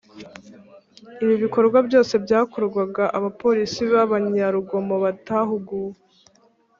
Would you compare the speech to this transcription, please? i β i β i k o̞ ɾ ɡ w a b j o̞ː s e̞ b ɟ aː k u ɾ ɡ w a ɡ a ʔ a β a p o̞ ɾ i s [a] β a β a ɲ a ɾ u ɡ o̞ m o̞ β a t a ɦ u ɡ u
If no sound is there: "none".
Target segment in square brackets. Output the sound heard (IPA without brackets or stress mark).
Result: i